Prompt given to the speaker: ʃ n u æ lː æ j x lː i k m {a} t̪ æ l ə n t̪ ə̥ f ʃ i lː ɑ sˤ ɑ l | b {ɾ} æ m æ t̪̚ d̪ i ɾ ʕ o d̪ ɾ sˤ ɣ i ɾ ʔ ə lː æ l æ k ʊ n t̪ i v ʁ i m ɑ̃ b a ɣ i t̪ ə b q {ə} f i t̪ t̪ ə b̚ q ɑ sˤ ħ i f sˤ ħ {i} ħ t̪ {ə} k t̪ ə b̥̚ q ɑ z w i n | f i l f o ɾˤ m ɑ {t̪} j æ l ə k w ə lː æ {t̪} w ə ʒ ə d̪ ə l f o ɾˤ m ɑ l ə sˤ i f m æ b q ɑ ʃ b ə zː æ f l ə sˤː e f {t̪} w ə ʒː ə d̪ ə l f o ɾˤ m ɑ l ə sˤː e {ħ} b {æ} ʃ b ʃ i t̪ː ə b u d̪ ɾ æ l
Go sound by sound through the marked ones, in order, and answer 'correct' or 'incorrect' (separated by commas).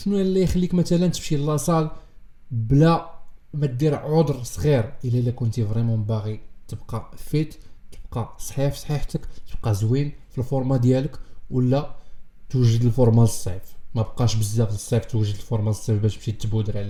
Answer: incorrect, incorrect, incorrect, correct, correct, incorrect, correct, correct, incorrect, correct